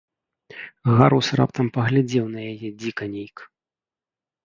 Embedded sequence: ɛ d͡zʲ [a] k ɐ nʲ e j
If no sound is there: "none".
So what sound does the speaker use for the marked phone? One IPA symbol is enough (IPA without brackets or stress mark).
i